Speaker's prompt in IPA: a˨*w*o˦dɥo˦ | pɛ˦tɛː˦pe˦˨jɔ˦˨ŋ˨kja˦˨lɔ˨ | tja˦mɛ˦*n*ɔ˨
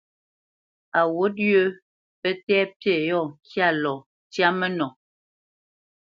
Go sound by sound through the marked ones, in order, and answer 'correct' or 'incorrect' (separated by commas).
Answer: correct, correct